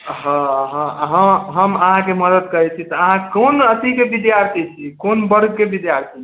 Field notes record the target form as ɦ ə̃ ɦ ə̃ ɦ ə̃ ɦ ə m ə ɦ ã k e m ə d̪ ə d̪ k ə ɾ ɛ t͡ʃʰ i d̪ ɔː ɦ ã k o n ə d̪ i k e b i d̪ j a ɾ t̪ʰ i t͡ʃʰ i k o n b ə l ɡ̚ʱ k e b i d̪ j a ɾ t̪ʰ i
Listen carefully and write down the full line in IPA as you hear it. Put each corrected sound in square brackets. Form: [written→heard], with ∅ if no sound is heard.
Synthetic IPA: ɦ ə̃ ɦ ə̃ ɦ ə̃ ɦ ə m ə ɦ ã k e m ə d̪ ə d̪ k ə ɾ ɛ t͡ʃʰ i [d̪→t̪] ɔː ɦ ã k o n ə [d̪→t̪] i k e b i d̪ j a ɾ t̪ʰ i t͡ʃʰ i k o n b ə [l→ɾ] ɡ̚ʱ k e b i d̪ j a ɾ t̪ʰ i